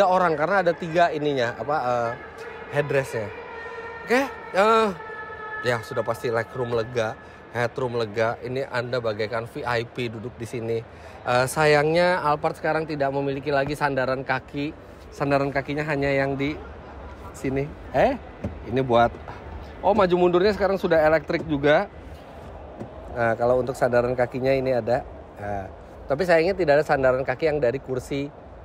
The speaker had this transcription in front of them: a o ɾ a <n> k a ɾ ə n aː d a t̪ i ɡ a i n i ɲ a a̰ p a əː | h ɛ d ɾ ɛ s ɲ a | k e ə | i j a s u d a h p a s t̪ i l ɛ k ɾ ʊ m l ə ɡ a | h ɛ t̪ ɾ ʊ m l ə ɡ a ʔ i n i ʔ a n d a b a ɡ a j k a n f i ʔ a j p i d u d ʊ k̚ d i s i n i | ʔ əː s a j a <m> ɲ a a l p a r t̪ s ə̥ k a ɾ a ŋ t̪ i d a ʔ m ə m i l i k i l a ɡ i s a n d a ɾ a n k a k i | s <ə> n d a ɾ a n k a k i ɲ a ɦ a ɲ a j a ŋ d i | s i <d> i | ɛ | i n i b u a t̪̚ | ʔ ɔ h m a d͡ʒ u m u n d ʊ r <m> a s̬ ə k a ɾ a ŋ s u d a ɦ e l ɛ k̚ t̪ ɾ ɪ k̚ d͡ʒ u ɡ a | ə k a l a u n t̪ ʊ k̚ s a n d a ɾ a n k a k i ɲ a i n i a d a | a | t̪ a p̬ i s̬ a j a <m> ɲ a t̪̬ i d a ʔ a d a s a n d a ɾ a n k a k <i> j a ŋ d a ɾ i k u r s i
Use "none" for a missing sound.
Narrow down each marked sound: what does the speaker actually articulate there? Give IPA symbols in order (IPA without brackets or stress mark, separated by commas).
ŋ, ŋ, a, n, ɲ, ŋ, i